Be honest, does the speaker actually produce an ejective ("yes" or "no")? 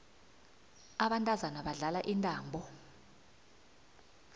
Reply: yes